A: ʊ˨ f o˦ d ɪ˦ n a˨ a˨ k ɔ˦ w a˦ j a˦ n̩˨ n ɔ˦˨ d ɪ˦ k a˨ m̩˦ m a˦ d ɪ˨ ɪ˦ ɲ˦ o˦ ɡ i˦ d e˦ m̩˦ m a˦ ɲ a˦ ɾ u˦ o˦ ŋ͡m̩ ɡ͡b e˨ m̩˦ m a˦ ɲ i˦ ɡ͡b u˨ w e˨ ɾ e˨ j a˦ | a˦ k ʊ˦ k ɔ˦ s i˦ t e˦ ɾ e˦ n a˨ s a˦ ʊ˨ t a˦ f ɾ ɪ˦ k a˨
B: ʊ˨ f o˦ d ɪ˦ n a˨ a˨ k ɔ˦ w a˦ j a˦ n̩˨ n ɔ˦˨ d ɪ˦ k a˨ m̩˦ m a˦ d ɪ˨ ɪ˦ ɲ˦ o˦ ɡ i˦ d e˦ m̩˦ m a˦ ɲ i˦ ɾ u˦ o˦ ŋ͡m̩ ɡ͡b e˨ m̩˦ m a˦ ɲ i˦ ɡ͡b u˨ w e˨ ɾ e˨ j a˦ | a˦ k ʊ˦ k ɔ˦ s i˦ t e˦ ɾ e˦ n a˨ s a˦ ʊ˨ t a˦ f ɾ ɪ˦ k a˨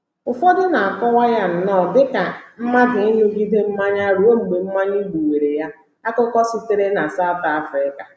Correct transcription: A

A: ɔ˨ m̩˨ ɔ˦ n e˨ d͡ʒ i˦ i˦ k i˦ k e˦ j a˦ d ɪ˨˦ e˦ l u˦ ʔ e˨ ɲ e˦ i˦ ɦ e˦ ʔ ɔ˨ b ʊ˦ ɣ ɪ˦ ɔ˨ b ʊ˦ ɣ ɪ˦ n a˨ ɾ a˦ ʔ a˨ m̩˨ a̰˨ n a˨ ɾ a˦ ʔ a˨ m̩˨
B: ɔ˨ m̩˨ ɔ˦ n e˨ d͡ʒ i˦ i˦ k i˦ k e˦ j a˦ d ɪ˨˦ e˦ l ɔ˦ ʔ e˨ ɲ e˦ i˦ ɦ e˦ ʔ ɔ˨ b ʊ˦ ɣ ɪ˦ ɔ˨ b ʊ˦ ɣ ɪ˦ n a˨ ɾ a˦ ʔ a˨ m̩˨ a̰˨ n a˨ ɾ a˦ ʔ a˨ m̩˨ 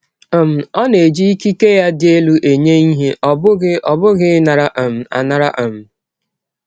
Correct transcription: A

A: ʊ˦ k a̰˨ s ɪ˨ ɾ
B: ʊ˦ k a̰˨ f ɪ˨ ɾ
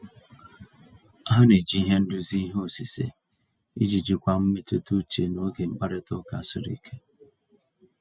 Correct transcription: A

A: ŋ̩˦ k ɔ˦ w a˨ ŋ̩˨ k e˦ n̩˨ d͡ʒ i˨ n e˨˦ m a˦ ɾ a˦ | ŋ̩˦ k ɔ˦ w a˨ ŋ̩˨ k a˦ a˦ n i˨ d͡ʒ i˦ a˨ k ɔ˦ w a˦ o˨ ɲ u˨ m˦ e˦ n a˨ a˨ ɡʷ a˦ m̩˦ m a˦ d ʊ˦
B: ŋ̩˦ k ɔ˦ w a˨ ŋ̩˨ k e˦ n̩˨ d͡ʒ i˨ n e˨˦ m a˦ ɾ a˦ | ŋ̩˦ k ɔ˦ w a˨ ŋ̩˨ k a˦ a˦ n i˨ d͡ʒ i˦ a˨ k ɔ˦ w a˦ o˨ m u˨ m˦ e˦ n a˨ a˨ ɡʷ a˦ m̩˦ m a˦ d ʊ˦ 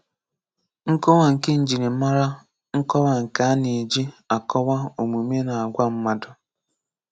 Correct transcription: B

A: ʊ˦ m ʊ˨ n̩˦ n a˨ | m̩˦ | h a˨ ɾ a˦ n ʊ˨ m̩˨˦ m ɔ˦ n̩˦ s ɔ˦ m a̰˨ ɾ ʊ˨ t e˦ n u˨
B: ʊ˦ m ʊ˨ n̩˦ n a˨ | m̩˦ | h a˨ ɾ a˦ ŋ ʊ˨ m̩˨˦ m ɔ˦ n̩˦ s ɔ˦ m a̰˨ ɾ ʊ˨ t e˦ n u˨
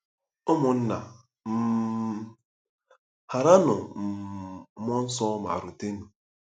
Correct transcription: A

